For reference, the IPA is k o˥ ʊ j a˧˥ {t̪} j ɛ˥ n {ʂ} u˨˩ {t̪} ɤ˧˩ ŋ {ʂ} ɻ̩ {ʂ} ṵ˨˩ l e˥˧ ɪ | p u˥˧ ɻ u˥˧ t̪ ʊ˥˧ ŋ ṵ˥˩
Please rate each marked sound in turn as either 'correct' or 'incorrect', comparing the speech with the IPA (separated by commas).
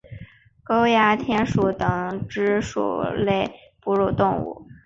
incorrect, correct, correct, incorrect, correct